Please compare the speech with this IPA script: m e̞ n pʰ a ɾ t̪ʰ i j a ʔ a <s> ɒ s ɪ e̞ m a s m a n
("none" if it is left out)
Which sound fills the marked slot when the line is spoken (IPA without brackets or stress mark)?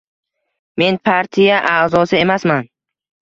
z